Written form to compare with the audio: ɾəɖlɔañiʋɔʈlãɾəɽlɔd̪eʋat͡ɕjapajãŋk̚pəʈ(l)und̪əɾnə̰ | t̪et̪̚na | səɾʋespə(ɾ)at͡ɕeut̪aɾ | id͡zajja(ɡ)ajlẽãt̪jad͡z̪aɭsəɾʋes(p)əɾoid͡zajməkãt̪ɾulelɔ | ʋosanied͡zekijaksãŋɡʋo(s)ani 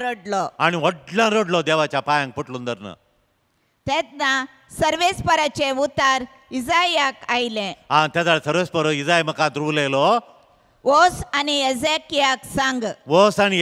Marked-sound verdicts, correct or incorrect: correct, correct, incorrect, correct, correct

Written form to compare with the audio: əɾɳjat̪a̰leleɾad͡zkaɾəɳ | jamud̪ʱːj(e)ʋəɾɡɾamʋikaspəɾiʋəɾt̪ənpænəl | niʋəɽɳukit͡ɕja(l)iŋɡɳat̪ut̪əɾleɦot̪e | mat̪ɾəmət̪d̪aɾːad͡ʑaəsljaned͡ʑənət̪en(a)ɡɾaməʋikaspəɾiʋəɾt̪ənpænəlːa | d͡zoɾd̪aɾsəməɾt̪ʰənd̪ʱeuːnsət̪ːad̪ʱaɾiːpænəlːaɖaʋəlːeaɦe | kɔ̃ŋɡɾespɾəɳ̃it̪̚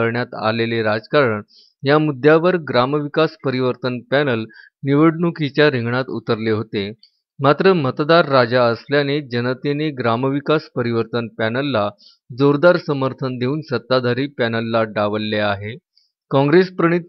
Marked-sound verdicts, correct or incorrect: incorrect, incorrect, incorrect

